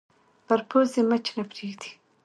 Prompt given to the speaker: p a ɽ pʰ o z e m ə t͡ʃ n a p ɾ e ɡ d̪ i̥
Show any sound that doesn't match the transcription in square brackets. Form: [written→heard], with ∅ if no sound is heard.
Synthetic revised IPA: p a [ɽ→ɾ] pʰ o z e m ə t͡ʃ n a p ɾ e ɡ d̪ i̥